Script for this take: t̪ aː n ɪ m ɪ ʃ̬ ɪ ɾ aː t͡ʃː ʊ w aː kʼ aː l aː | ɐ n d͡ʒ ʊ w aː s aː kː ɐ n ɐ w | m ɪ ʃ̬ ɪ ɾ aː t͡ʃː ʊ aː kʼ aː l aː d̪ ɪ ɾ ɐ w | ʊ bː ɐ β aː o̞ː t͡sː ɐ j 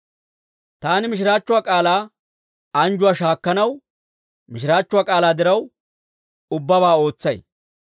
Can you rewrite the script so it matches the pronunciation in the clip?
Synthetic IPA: t̪ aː n ɪ m ɪ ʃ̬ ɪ ɾ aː t͡ʃː ʊ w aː kʼ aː l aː | ɐ n d͡ʒ ʊ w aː ʃ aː kː ɐ n ɐ w | m ɪ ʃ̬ ɪ ɾ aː t͡ʃː ʊ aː kʼ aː l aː d̪ ɪ ɾ ɐ w | ʊ bː ɐ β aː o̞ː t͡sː ɐ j